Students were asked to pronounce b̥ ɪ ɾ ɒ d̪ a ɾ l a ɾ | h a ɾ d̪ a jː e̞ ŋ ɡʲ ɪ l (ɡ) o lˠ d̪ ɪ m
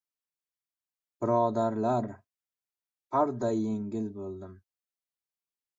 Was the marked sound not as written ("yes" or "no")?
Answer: yes